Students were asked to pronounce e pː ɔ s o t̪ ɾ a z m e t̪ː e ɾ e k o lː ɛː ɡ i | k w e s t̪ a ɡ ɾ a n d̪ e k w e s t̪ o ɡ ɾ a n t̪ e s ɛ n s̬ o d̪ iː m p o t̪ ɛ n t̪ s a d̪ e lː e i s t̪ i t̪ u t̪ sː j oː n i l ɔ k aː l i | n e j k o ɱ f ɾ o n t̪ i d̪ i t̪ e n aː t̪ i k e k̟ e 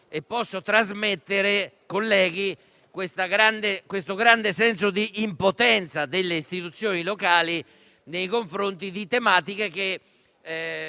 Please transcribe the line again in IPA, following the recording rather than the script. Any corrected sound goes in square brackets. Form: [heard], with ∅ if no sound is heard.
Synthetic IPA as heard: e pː ɔ [sː] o t̪ ɾ a z m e t̪ː e ɾ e k o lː ɛː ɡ i | k w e s t̪ a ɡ ɾ a n d̪ e k w e s t̪ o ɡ ɾ a n [d̪] e s ɛ n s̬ o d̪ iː m p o t̪ ɛ n t̪ s a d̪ e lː e i s t̪ i t̪ u t̪ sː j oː n i l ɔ k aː l i | n e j k o ɱ f ɾ o n t̪ i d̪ i t̪ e [m] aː t̪ i k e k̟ e